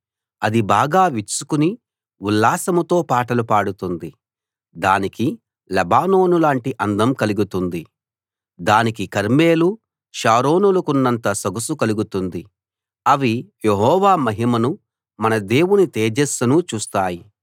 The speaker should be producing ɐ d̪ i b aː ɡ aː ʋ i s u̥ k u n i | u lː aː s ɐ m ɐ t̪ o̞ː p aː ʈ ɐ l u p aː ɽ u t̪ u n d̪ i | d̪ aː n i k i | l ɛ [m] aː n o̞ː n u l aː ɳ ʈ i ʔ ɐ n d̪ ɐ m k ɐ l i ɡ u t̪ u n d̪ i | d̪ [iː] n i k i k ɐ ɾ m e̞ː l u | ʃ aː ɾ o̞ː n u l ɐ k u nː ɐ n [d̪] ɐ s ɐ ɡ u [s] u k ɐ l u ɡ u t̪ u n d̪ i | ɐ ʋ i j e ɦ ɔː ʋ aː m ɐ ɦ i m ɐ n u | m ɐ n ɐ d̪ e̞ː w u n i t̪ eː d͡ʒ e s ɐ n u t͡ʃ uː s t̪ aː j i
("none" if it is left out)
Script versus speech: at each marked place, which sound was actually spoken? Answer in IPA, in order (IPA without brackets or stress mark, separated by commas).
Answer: b, aː, t̪, s